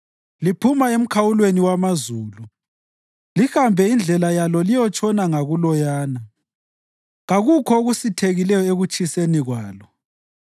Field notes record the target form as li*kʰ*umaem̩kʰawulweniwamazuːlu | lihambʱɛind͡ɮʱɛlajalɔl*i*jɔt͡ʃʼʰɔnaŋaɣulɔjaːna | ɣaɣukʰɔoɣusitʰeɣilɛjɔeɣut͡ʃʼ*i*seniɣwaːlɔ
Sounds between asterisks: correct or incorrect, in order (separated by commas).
incorrect, correct, correct